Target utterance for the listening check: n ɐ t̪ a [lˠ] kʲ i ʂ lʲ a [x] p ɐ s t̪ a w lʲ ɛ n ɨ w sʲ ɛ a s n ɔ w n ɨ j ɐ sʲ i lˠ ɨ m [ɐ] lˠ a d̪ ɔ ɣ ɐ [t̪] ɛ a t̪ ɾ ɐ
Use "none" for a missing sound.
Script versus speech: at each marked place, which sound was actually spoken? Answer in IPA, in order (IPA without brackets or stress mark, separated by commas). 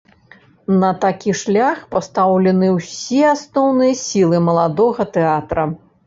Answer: none, x, ɐ, t̪